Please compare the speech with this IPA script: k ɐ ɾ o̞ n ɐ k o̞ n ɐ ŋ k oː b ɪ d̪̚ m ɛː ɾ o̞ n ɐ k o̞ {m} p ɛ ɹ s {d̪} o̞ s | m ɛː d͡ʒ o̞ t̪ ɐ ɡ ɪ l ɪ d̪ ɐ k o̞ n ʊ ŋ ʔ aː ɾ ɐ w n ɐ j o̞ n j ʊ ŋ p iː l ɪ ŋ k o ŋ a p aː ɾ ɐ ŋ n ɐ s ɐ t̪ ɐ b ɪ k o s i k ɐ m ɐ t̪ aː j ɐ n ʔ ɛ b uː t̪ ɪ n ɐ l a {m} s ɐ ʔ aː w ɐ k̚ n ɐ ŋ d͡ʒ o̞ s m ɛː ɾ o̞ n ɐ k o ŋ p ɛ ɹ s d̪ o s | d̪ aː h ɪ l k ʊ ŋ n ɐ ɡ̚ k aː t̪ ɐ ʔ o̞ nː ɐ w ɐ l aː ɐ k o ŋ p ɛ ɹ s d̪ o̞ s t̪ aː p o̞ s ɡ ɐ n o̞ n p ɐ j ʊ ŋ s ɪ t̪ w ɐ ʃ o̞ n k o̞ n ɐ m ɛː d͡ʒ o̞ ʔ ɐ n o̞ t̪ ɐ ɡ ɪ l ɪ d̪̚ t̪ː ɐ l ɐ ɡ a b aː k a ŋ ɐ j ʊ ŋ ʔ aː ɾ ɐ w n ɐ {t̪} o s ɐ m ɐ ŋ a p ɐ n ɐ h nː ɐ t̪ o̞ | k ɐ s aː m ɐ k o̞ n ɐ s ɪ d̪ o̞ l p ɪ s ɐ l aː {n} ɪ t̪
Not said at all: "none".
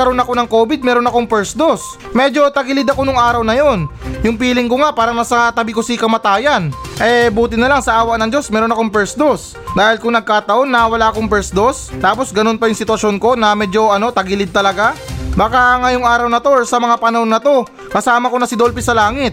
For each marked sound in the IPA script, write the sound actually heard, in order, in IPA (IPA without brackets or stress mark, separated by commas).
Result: ŋ, d̪, ŋ, t̪, ŋ